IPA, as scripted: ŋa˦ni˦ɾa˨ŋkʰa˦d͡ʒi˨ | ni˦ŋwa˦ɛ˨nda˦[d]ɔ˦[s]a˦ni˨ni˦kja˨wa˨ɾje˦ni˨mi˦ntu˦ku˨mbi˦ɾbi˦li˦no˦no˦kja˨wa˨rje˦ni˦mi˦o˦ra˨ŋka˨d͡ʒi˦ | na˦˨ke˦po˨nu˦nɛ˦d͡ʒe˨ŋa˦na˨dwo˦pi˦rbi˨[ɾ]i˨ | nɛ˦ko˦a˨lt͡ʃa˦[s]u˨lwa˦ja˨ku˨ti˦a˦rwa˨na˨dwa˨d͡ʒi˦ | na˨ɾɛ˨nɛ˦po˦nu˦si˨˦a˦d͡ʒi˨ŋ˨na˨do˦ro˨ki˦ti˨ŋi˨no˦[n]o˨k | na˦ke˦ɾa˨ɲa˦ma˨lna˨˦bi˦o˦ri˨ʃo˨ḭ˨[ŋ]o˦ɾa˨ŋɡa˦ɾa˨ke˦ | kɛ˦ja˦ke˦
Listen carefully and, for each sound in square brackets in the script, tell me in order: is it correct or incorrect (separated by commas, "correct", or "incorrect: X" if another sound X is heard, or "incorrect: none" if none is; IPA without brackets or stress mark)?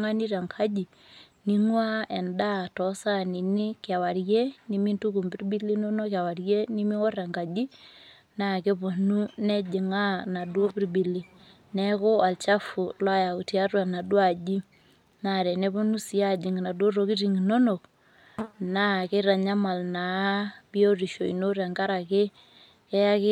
incorrect: t, correct, incorrect: l, incorrect: f, correct, incorrect: n